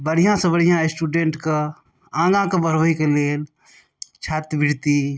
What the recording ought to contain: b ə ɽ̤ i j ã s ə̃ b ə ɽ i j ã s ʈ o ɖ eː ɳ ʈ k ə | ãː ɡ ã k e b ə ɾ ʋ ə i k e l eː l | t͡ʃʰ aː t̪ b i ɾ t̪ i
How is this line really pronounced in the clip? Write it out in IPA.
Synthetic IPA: b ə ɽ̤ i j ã s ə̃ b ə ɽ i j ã s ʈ u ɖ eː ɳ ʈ k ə | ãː ɡ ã k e b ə ɾ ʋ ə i k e l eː l | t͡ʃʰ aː t̪ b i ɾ t̪ i